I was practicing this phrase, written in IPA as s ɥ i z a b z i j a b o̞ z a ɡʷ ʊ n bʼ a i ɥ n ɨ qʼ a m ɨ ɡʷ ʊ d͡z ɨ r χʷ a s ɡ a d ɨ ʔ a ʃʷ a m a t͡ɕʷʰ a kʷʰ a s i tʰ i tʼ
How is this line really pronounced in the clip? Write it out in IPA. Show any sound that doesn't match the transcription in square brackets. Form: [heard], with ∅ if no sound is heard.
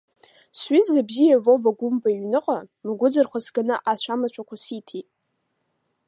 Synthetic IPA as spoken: s ɥ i z a b z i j a [v] o̞ [v] a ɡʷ ʊ [m] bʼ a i ɥ n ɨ qʼ a m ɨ ɡʷ ʊ d͡z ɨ r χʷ a s ɡ a [n] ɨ ʔ a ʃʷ a m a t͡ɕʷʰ a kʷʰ a s i tʰ i tʼ